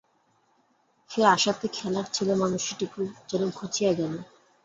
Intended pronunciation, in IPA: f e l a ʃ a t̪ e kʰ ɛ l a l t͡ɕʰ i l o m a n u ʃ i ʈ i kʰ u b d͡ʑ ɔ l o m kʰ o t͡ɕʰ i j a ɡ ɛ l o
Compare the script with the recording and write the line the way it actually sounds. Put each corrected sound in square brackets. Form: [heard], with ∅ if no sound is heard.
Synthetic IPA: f e [ɾ] a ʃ a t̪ e kʰ ɛ l a [ɾ] t͡ɕʰ i l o m a n u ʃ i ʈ i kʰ u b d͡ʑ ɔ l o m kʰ o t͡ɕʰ i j a ɡ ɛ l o